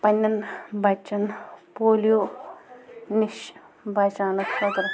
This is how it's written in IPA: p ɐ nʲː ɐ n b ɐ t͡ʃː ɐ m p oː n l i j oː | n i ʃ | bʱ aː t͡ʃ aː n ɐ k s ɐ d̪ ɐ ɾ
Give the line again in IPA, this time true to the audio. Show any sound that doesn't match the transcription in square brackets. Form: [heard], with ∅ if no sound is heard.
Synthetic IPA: p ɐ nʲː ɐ n b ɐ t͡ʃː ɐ [n] p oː [∅] l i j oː | n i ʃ | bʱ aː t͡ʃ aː n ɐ k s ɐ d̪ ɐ ɾ

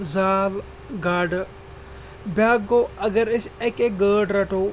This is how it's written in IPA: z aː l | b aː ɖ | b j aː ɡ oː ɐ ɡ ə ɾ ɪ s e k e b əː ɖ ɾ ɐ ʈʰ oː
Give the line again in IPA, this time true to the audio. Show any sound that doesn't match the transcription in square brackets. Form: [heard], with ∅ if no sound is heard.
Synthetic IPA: z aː l | [ɡ] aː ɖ | b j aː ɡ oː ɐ ɡ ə ɾ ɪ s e k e [ɡ] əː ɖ ɾ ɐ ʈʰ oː

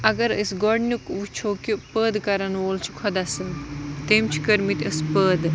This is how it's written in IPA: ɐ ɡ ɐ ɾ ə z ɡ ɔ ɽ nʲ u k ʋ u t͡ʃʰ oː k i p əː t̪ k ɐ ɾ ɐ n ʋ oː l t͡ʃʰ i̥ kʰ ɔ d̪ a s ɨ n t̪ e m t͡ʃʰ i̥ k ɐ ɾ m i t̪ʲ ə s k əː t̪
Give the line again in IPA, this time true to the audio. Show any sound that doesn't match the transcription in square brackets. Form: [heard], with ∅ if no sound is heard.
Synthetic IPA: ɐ ɡ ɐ ɾ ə [s] ɡ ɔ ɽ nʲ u k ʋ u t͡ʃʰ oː k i p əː [d̪] k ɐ ɾ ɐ n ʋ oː l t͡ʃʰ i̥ kʰ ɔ d̪ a s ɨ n t̪ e m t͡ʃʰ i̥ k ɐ ɾ m i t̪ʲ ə s [p] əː [d̪]

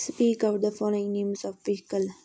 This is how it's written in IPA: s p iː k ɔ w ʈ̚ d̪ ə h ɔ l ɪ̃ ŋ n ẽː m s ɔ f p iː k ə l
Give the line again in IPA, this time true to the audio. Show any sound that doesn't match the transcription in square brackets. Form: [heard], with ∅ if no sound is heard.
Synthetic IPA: s p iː k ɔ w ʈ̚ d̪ ə [f] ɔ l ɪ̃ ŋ n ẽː m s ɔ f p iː k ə l

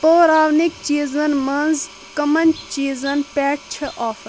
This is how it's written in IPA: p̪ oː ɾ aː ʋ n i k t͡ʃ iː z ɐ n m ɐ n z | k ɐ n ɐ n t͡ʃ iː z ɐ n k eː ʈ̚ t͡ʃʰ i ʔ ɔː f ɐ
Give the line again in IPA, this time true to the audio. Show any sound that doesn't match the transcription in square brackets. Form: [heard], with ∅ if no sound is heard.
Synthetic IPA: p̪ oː ɾ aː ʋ n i k t͡ʃ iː z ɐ n m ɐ n z | k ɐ [m] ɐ n t͡ʃ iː z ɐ n [p] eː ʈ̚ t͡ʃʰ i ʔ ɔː f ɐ

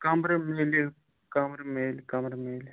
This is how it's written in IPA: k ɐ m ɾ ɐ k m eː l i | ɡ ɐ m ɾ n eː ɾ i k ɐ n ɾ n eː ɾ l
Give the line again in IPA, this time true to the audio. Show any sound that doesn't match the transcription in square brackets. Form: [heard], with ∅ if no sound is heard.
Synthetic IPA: k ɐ m ɾ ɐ [∅] m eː l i | [k] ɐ m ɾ [m] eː [l] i k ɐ [m] ɾ [m] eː [∅] l

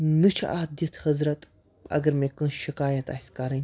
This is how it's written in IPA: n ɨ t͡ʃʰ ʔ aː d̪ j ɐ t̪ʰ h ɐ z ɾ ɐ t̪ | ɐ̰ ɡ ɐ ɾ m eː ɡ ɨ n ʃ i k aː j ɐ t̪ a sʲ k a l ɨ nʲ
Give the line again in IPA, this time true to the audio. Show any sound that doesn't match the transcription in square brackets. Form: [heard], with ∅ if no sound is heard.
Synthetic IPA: n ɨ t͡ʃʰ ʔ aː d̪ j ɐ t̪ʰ h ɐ z ɾ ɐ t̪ | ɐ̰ ɡ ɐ ɾ m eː [k] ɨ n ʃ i k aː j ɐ t̪ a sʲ k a [ɾ] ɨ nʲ

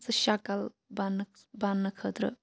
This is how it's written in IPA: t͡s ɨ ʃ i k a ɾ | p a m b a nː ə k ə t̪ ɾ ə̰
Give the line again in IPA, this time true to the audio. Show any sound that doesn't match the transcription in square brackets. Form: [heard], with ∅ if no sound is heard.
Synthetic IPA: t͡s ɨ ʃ [a] k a [l] | [b] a [n] b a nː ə [kʰ] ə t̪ ɾ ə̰

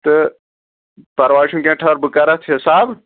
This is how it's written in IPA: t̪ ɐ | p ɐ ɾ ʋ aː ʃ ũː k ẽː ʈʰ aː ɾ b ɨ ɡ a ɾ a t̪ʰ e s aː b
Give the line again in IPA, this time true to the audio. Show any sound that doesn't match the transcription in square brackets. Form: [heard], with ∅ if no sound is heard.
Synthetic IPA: t̪ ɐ | p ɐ ɾ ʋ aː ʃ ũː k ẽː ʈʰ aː ɾ b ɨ [k] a ɾ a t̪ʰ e s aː b

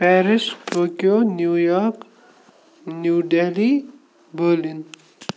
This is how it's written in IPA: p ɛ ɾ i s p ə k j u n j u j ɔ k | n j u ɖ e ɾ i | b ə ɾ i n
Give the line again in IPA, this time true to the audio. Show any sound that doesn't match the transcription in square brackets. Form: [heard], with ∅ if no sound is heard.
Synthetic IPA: p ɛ ɾ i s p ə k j [o] n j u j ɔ k | n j u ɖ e [l] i | b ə [l] i n

